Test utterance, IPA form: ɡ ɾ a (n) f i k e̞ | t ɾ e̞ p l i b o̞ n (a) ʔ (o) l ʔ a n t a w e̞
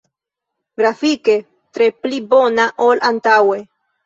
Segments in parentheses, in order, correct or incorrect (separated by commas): incorrect, correct, correct